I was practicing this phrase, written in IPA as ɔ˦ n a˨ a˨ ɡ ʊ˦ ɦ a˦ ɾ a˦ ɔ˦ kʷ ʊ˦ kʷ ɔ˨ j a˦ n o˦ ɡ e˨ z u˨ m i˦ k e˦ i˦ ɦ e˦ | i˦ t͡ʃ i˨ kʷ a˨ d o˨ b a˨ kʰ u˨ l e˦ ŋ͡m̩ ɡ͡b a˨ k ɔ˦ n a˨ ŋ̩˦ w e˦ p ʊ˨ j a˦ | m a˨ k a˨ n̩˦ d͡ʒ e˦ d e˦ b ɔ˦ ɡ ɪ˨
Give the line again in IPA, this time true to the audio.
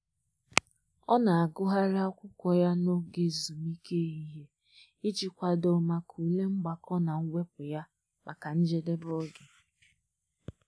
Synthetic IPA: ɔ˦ n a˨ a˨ ɡ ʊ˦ ɦ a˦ ɾ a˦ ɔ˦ kʷ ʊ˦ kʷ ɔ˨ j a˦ n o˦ ɡ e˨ z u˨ m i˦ k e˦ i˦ ɦ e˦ | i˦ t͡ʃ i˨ kʷ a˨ d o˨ m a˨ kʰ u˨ l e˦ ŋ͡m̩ ɡ͡b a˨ k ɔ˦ n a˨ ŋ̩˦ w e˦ p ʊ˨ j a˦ | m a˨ k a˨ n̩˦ d͡ʒ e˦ d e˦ b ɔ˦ ɡ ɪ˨